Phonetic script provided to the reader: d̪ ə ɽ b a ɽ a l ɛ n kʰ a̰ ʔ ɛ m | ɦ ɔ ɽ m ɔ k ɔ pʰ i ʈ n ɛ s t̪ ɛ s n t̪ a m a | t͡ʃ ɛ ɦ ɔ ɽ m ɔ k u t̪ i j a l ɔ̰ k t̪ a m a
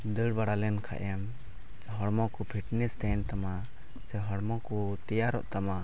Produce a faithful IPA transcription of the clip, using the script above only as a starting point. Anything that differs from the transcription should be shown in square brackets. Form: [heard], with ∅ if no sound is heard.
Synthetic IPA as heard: d̪ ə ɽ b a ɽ a l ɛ n kʰ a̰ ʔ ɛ m | ɦ ɔ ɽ m ɔ k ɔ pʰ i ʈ n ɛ s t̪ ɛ [∅] n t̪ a m a | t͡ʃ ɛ ɦ ɔ ɽ m ɔ k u t̪ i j a [ɾ] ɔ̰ [ʔ] t̪ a m a